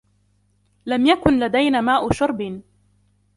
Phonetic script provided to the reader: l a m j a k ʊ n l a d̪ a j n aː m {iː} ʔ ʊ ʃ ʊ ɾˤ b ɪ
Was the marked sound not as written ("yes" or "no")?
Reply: yes